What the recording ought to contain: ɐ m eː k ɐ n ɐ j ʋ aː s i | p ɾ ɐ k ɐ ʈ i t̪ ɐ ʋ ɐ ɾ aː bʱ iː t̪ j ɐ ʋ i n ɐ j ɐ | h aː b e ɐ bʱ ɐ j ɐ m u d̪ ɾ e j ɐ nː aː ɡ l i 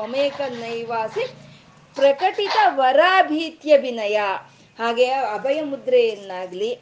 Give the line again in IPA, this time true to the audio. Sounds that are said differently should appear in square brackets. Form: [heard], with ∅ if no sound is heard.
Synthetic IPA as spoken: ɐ m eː k ɐ n ɐ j ʋ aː s i | p ɾ ɐ k ɐ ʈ i t̪ ɐ ʋ ɐ ɾ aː bʱ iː t̪ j ɐ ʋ i n ɐ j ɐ | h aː [ɡ] e ɐ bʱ ɐ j ɐ m u d̪ ɾ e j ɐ nː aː ɡ l i